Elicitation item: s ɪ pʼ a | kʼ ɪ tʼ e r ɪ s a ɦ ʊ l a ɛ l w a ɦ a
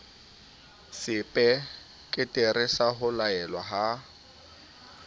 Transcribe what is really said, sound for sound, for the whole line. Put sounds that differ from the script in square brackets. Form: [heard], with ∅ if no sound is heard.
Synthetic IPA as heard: s ɪ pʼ [ɛ] | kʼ ɪ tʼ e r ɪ s a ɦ ʊ l a ɛ l w a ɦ a